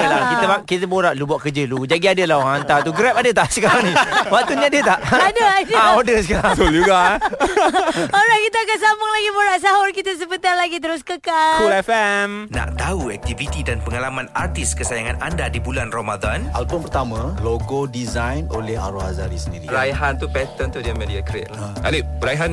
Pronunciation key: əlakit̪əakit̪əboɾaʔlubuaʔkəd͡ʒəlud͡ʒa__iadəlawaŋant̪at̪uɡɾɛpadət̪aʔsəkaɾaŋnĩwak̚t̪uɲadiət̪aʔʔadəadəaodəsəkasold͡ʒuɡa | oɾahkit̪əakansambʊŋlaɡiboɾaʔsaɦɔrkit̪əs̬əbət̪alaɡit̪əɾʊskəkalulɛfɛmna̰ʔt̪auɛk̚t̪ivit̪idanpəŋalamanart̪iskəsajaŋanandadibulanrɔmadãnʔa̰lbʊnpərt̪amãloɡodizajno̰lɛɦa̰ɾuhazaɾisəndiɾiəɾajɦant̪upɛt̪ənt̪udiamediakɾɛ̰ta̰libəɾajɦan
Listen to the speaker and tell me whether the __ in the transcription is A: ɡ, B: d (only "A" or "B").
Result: A